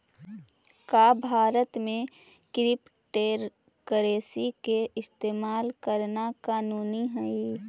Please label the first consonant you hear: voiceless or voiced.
voiceless